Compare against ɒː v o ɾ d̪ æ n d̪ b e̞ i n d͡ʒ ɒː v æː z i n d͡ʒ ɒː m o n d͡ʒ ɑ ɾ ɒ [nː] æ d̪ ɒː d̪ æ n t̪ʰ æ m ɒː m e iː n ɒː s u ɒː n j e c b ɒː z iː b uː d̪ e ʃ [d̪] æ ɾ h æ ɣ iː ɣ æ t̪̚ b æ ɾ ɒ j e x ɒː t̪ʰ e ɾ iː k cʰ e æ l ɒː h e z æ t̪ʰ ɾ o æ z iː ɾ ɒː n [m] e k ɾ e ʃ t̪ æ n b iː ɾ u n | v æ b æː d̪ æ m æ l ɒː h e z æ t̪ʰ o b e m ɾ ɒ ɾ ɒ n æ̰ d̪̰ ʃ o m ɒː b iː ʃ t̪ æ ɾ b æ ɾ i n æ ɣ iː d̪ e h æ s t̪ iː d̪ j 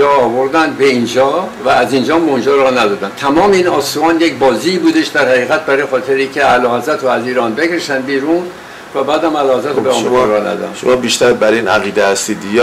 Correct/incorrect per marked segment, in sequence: incorrect: n, correct, incorrect: b

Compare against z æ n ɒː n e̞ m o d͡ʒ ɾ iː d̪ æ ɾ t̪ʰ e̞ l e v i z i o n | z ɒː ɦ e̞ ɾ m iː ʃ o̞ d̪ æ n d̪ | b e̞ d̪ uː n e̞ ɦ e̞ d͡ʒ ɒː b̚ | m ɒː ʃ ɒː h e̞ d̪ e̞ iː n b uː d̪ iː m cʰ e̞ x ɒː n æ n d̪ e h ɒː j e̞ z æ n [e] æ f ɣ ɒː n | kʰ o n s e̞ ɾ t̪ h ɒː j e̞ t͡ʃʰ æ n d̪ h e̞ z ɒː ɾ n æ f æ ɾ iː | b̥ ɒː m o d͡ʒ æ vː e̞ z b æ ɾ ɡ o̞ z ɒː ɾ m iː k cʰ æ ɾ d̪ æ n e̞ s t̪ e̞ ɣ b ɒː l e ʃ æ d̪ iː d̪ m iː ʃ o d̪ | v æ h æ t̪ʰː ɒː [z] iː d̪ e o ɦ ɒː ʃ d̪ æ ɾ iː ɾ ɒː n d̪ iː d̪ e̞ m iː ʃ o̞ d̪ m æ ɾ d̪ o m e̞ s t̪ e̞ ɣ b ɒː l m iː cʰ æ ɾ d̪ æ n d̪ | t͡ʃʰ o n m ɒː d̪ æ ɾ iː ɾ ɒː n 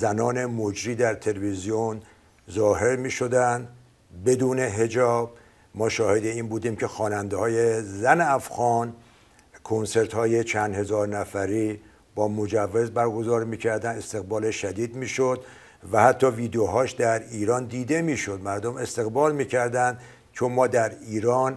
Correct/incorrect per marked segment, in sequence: correct, incorrect: v

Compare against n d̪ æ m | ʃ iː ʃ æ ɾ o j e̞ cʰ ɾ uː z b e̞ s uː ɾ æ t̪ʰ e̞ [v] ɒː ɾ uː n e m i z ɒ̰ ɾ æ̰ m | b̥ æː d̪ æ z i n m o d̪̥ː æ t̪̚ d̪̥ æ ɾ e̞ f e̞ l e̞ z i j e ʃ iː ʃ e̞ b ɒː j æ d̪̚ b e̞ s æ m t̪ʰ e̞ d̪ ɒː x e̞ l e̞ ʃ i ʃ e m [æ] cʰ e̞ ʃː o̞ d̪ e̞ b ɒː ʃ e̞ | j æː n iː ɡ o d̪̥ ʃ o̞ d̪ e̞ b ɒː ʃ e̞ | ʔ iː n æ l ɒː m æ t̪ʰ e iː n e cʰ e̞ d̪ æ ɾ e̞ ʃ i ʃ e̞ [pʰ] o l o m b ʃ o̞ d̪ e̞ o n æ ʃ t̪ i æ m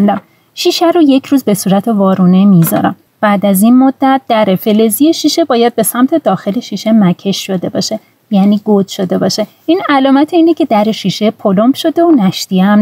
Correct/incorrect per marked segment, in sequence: correct, correct, correct

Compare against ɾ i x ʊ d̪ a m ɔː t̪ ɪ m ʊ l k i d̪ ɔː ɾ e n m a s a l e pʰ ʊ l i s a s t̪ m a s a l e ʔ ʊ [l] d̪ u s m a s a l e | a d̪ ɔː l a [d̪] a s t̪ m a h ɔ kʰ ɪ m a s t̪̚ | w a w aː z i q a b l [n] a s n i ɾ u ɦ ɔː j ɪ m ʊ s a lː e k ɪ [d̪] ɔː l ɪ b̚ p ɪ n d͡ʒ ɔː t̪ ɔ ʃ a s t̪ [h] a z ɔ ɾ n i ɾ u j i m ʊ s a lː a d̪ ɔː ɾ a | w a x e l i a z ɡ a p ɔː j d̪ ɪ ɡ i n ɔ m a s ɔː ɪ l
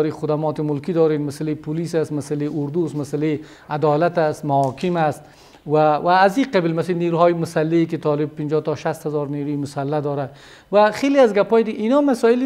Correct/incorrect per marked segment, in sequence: incorrect: ɾ, incorrect: t̪, incorrect: m, incorrect: t̪, correct

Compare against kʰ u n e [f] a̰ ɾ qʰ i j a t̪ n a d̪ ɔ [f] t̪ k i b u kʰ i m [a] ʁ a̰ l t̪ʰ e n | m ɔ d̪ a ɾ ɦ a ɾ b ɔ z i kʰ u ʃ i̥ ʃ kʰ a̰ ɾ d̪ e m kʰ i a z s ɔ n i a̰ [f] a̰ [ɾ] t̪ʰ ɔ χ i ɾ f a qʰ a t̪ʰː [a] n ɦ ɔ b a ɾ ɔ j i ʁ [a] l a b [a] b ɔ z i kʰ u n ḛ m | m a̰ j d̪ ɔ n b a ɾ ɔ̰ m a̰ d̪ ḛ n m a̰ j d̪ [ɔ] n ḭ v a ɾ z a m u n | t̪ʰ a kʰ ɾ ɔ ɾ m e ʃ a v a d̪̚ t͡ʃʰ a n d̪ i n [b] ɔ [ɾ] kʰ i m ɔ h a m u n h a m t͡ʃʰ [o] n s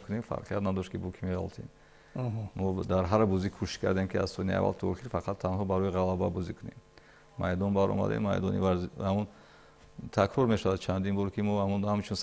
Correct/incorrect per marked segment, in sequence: correct, incorrect: ʃ, incorrect: e, incorrect: v, incorrect: l, correct, correct, correct, correct, correct, correct, incorrect: u

